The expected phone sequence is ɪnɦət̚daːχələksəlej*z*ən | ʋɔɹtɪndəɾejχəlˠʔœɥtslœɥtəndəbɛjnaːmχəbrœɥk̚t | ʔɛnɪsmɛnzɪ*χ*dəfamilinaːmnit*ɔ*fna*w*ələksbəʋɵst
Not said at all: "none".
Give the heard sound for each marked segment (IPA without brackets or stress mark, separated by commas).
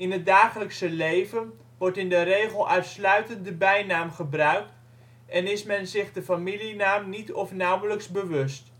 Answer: v, χ, ɔ, w